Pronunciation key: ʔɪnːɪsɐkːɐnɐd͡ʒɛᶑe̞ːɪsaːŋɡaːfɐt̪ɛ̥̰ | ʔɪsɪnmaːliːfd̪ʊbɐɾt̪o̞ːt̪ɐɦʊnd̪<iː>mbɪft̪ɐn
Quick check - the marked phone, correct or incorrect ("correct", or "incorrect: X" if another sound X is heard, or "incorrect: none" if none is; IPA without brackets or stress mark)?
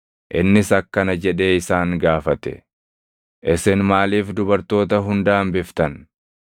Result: incorrect: aː